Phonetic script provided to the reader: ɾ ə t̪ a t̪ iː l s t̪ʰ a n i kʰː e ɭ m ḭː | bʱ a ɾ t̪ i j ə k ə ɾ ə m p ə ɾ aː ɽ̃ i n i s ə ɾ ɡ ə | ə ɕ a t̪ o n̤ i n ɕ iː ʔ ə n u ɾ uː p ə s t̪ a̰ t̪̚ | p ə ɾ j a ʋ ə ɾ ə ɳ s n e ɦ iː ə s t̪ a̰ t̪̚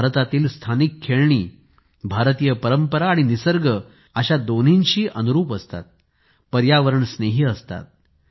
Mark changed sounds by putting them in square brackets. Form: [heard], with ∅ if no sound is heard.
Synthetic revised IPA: ɾ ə t̪ a t̪ iː l s t̪ʰ a n i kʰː e ɭ [ɳ] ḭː | bʱ a ɾ t̪ i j ə [p] ə ɾ ə m p ə ɾ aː ɽ̃ i n i s ə ɾ ɡ ə | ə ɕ a [d̪] o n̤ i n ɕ iː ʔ ə n u ɾ uː p ə s t̪ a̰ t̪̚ | p ə ɾ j a ʋ ə ɾ ə ɳ s n e ɦ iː ə s t̪ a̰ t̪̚